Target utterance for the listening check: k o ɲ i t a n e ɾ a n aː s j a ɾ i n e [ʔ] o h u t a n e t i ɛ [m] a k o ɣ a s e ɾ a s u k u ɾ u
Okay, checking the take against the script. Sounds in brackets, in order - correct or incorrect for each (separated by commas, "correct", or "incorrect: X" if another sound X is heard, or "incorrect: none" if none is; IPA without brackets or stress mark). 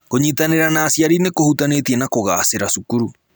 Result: incorrect: k, incorrect: n